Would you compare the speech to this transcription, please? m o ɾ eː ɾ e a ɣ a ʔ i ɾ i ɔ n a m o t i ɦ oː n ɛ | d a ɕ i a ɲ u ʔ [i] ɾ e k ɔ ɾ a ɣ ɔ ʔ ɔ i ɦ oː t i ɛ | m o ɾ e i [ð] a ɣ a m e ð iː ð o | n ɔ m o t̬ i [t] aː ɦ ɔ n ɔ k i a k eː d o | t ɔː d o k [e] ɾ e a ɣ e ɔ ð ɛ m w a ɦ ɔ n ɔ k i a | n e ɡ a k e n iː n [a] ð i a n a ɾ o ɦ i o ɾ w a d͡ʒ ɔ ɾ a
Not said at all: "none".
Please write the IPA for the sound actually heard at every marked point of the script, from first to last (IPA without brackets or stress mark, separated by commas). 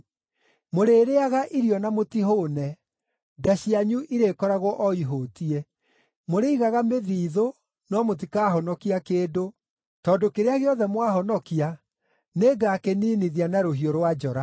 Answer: i, ɣ, k, e, i